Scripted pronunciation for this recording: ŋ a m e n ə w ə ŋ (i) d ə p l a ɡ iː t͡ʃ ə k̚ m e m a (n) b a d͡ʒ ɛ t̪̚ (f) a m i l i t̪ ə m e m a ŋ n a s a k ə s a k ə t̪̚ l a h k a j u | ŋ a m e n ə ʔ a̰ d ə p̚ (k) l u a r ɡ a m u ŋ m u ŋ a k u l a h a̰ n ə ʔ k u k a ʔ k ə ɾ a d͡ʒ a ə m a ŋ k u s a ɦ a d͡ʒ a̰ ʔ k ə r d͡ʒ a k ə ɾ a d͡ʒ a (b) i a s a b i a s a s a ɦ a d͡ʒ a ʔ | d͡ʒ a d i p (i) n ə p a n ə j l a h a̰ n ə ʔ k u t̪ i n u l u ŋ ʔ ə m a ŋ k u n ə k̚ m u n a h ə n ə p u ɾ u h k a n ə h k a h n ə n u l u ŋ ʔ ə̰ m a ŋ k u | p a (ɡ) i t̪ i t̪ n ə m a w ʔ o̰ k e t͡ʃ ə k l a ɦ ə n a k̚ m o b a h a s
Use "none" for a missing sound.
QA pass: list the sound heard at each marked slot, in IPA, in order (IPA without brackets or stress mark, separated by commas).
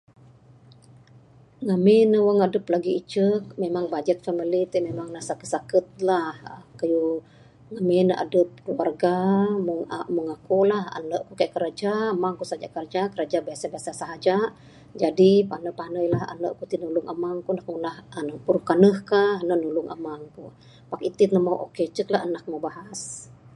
a, ŋ, f, k, b, a, k